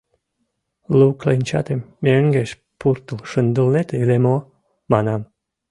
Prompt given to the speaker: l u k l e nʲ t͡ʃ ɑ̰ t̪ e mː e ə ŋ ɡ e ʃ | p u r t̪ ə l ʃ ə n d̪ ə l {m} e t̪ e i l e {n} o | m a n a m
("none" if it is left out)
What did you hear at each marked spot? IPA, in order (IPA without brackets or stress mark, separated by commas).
n, m